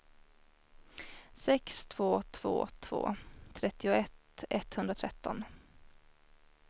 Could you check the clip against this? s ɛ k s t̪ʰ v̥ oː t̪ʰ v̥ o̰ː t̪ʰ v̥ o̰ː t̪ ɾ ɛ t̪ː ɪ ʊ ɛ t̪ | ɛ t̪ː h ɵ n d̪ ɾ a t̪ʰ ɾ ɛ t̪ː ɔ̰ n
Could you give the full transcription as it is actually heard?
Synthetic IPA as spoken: s ɛ k s t̪ʰ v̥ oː t̪ʰ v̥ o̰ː t̪ʰ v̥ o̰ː t̪ʰ ɾ ɛ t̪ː ɪ ʊ ɛ t̪ | ɛ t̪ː h ɵ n d̪ ɾ a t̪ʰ ɾ ɛ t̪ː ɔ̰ n